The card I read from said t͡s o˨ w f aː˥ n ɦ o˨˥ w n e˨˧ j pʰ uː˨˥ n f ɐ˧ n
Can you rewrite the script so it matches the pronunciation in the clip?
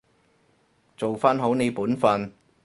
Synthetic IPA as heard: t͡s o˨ w f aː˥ n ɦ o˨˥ w n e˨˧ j p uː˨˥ n f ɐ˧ n